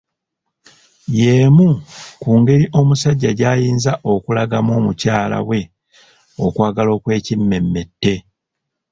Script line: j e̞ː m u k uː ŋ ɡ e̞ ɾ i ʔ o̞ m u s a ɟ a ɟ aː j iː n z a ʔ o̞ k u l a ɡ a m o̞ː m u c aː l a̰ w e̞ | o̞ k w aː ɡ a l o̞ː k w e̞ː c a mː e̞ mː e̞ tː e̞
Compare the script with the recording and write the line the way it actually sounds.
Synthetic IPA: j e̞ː m u k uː ŋ ɡ e̞ ɾ i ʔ o̞ m u s a ɟː a ɟ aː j iː n z a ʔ o̞ k u l a ɡ a m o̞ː m u c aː l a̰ w e̞ | o̞ k w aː ɡ a l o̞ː k w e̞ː c i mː e̞ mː e̞ tː e̞